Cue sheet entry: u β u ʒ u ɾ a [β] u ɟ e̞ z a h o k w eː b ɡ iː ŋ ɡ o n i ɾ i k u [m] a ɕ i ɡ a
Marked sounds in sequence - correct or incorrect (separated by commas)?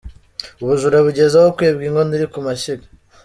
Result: correct, correct